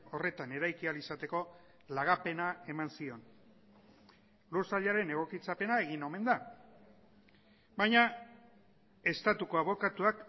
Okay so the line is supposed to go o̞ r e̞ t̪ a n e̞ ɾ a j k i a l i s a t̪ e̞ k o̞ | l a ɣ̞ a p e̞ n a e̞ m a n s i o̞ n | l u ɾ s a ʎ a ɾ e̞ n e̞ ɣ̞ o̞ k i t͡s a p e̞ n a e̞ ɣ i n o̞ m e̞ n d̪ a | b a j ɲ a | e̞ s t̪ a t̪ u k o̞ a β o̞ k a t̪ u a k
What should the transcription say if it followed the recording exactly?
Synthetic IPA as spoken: o̞ r e̞ t̪ a n e̞ ɾ a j k i a l i s a t̪ e̞ k o̞ | l a ɣ̞ a p e̞ n a e̞ m a n s i o̞ n | l u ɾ s a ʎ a ɾ e̞ n e̞ ɣ̞ o̞ k i t͡s a p e̞ n a e̞ ɣ i n o̞ m e̞ n d̪ a | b a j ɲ a | e̞ s t̪ a t̪ u k o̞ a β o̞ k a t̪ u a k